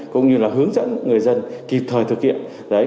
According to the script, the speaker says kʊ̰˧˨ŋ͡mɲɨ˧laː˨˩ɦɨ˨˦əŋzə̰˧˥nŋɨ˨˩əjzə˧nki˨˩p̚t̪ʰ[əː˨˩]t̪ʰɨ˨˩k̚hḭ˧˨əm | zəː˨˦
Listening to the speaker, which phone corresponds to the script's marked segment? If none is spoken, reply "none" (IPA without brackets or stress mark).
əː˨˩